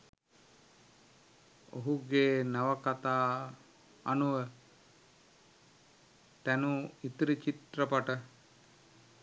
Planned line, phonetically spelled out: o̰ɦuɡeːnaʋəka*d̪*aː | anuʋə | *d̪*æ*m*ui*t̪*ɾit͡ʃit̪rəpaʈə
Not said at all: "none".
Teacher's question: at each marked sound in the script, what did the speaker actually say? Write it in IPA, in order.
t̪, t̪, n, t̪

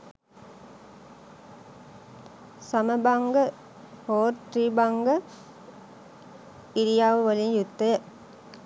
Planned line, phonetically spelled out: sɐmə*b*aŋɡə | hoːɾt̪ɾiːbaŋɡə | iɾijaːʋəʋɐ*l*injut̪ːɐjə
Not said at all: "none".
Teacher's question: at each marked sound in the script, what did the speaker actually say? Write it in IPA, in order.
b, l

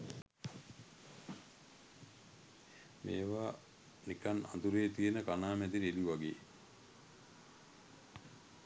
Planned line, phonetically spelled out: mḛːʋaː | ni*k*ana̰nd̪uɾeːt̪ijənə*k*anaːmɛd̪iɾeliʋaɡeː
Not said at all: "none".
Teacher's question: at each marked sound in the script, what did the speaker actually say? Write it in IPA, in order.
k, k

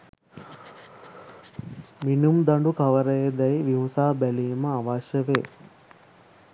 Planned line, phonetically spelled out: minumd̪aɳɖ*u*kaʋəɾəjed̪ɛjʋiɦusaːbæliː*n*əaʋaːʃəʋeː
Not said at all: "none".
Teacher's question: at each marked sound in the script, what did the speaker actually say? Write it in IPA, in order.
u, m

